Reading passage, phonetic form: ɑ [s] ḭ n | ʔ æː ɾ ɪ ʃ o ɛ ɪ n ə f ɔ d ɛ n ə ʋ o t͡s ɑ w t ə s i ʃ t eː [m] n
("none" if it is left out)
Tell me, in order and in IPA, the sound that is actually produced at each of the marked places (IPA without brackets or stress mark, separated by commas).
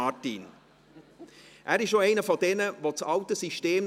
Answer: t, m